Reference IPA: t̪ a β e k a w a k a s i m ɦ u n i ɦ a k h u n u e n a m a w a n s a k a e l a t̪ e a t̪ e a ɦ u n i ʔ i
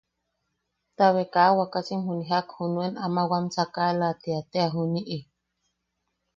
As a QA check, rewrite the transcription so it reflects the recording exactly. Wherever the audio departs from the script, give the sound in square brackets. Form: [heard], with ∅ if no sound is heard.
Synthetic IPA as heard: t̪ a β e k a w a k a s i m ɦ u n i ɦ a k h u n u e n a m a w a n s a k a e l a t̪ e a t̪ e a ɦ u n i ʔ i